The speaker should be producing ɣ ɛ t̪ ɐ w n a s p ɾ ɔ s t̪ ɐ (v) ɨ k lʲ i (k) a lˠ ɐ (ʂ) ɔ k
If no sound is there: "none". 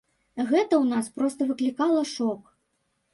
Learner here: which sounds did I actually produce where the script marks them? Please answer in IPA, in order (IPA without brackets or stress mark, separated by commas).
v, k, ʂ